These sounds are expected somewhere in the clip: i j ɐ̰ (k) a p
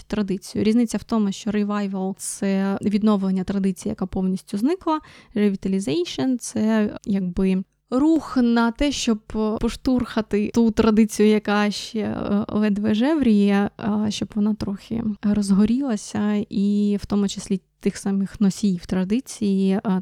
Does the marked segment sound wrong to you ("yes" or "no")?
no